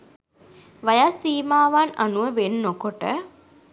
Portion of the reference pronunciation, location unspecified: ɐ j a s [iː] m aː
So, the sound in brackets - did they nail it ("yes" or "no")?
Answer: yes